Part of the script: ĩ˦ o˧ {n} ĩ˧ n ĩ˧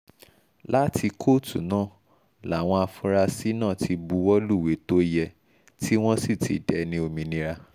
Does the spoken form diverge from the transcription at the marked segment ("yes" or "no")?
yes